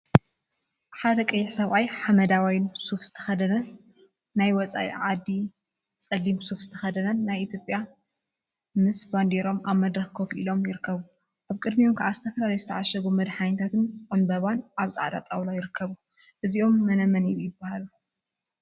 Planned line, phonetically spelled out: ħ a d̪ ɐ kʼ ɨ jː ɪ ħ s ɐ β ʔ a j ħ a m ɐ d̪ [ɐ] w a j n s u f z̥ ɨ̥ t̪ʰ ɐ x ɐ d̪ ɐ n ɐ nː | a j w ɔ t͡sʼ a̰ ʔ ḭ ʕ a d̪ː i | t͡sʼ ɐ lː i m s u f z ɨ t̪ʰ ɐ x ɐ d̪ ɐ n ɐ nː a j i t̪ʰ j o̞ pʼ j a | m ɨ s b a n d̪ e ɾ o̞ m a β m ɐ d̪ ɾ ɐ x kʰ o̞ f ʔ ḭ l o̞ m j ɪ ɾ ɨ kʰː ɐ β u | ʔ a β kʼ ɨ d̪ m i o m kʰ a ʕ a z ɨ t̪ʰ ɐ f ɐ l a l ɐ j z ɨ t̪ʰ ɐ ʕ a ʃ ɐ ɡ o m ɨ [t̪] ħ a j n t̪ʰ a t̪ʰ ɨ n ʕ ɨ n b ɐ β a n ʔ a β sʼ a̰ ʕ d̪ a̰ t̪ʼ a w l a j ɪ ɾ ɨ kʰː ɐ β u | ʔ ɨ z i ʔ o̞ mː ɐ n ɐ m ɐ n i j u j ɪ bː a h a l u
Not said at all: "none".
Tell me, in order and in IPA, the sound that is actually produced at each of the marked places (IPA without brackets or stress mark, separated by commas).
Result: a, d̪